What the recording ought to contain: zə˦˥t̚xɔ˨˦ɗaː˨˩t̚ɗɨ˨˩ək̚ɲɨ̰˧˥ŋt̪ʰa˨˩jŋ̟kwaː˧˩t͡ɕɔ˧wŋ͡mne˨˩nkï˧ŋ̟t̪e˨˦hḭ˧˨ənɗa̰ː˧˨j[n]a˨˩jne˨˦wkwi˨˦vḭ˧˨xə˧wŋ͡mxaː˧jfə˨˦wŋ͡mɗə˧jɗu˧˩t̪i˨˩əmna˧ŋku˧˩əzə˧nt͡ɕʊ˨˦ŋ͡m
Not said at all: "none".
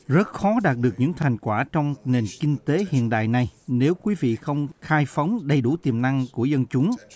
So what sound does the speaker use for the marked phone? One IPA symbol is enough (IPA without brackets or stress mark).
n